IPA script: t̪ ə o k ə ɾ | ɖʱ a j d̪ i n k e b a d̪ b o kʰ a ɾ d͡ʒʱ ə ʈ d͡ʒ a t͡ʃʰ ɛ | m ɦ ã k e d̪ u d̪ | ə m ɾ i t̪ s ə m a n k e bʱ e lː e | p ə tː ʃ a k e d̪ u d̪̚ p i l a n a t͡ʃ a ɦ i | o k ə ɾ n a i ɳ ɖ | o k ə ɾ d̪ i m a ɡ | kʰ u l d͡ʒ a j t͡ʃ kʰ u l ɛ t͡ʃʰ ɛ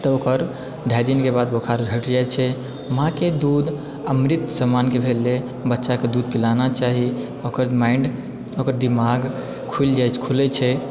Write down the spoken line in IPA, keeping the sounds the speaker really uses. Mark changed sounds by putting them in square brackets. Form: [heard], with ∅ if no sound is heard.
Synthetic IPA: t̪ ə o k ə ɾ | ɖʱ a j d̪ i n k e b a d̪ b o kʰ a ɾ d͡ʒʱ ə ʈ d͡ʒ a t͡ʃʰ ɛ | m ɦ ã k e d̪ u d̪ | ə m ɾ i t̪ s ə m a n k e bʱ e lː e | [b] ə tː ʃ a k e d̪ u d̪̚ p i l a n a t͡ʃ a ɦ i | o k ə ɾ [m] a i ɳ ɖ | o k ə ɾ d̪ i m a ɡ | kʰ u l d͡ʒ a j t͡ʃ kʰ u l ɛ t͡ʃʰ ɛ